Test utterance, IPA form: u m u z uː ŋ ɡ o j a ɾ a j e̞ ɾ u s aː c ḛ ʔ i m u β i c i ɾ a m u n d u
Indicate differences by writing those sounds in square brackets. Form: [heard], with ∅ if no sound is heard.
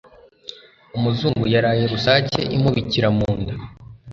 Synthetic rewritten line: u m u z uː ŋ ɡ [u] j a ɾ a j e̞ ɾ u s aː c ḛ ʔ i m u β i c i ɾ a m [uː] n d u